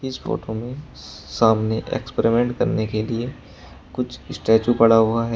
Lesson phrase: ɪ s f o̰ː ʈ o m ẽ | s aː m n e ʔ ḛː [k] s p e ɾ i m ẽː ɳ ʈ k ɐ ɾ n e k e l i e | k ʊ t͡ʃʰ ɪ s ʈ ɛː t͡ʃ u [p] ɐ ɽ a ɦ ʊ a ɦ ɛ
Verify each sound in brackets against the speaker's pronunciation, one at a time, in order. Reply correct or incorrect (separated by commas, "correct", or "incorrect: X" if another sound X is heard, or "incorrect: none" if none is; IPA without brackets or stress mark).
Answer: correct, correct